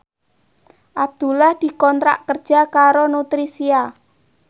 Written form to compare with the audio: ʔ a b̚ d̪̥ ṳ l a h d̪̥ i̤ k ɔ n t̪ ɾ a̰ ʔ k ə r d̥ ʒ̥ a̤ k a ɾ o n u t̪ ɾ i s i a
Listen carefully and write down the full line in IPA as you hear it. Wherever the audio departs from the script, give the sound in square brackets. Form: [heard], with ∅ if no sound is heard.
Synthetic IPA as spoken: ʔ a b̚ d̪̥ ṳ l a h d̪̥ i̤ k ɔ n t̪ ɾ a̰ ʔ k ə r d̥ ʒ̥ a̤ k a ɾ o n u t̪ ɾ i s i a